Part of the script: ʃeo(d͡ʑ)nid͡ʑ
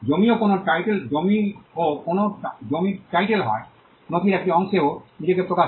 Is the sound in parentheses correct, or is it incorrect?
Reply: incorrect